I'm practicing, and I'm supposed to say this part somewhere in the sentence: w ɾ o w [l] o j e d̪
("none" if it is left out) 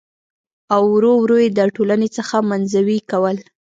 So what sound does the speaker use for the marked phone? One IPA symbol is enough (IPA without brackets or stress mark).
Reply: ɾ